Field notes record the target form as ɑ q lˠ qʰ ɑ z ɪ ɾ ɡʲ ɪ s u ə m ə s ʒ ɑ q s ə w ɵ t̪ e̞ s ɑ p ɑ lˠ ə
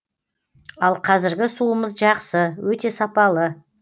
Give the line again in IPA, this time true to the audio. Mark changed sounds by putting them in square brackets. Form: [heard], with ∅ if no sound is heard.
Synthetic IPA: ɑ [∅] lˠ qʰ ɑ z ɪ ɾ ɡʲ ɪ s u ə m ə [z] ʒ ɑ q s ə w ɵ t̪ e̞ s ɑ p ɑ lˠ ə